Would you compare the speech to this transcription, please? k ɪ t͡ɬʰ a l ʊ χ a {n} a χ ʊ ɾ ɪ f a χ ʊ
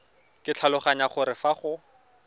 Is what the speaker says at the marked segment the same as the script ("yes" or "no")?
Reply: no